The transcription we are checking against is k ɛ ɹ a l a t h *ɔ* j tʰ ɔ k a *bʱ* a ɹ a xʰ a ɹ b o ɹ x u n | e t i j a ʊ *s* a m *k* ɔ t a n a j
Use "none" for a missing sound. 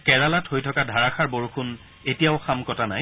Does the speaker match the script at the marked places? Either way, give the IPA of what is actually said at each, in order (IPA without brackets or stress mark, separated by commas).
o, dʱ, x, k